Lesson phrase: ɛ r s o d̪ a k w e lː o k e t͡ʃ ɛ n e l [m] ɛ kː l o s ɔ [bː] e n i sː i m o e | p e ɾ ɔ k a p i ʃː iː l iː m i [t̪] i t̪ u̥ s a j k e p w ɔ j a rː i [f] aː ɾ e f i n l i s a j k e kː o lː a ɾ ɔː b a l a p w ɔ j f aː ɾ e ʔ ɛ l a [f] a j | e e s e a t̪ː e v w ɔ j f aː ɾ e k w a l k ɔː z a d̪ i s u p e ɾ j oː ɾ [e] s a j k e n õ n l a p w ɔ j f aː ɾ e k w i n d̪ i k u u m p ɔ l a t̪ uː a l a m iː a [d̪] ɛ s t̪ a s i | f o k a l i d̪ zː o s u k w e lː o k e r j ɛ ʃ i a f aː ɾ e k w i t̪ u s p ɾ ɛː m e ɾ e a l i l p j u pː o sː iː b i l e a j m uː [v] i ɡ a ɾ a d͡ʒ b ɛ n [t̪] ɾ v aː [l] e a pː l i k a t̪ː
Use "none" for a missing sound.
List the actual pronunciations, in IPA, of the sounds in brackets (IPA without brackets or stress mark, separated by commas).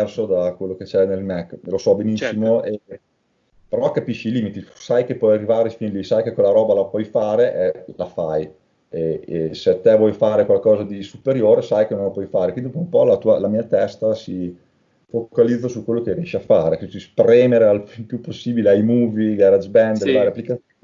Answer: m, b, t̪, v, f, e, t̪, v, d̪, ɾ